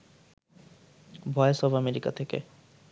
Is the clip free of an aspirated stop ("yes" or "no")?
no